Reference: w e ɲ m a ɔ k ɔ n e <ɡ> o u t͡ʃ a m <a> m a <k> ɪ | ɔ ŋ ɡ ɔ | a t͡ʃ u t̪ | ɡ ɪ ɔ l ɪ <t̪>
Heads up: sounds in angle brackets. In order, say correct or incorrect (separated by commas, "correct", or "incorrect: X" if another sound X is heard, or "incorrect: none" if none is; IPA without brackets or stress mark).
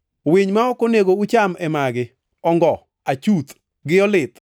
correct, incorrect: ɛ, incorrect: ɡ, correct